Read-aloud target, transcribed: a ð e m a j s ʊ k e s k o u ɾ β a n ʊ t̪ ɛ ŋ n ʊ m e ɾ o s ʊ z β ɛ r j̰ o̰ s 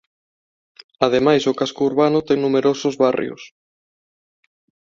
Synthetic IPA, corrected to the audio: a ð e m a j s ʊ k a s k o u ɾ β a n ʊ t̪ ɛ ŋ n u m e ɾ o s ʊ z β a r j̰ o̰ s